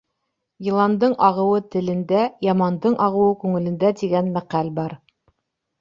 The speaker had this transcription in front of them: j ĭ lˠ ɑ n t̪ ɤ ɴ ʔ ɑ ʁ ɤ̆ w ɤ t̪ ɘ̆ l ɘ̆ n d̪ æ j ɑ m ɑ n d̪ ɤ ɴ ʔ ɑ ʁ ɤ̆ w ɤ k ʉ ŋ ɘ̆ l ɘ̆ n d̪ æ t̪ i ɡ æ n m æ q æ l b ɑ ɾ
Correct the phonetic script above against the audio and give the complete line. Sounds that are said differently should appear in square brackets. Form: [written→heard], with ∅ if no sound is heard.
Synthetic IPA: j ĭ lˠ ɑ n [t̪→d̪] ɤ ɴ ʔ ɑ ʁ ɤ̆ w ɤ t̪ ɘ̆ l ɘ̆ n d̪ æ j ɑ m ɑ n d̪ ɤ ɴ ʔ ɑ ʁ ɤ̆ w ɤ k ʉ ŋ ɘ̆ l ɘ̆ n d̪ æ t̪ i ɡ æ n m æ q æ l b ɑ ɾ